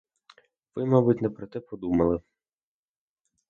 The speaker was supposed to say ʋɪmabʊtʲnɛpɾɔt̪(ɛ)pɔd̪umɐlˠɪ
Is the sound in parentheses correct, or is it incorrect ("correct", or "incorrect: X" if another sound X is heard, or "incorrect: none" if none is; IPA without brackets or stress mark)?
correct